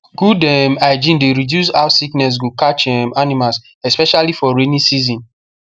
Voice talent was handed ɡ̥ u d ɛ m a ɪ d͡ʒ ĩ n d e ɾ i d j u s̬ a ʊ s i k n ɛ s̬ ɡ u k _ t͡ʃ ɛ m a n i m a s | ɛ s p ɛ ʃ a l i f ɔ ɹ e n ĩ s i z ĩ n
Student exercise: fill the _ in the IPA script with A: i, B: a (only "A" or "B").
B